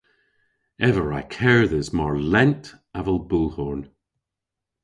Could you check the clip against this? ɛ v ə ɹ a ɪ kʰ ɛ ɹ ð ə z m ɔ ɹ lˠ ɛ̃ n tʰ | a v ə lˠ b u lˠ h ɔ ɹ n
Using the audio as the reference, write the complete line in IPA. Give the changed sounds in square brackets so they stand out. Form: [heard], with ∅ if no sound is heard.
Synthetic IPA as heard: ɛ v ə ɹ a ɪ kʰ ɛ ɹ ð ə z m ɔ ɹ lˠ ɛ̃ n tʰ | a v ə lˠ b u lˠ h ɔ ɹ n